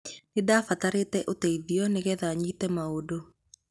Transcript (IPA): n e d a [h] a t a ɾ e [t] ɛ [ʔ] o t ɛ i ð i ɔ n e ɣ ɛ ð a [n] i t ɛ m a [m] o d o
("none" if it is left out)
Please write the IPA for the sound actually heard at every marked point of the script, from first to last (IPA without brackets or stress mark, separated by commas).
f, t, ʔ, ɲ, none